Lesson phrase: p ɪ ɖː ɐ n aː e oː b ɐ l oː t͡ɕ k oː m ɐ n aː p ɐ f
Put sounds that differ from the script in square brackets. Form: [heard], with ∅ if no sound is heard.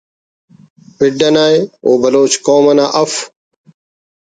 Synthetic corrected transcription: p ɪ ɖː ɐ n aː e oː b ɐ l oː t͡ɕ k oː m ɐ n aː [ʔ] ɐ f